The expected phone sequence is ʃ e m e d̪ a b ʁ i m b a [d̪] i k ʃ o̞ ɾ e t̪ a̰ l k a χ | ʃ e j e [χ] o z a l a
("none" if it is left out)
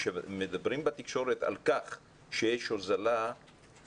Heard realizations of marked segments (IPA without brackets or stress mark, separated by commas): t̪, ʃ